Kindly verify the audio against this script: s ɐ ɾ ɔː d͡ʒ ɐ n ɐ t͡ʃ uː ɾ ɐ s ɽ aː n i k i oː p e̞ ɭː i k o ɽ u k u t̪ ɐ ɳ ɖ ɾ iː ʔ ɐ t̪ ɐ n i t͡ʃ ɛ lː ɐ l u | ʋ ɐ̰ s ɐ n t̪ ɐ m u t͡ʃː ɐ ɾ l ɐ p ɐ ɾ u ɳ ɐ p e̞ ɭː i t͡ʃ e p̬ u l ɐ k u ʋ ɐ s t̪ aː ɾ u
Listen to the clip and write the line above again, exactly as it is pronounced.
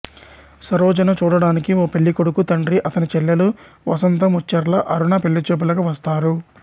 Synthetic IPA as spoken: s ɐ ɾ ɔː d͡ʒ ɐ n ɐ t͡ʃ uː ɽ ɐ ɽ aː n i k i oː p e̞ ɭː i k o ɽ u k u t̪ ɐ ɳ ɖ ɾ i ʔ ɐ t̪ ɐ n i t͡ʃ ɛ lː ɐ l u | ʋ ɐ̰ s ɐ n t̪ ɐ m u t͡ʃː ɐ ɾ l ɐ ʔ ɐ ɾ u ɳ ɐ p e̞ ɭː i t͡ʃ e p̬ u l ɐ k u ʋ ɐ s t̪ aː ɾ u